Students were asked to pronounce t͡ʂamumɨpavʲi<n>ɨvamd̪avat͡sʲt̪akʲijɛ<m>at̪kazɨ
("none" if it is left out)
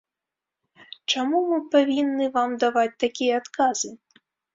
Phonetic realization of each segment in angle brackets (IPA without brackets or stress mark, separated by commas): nː, none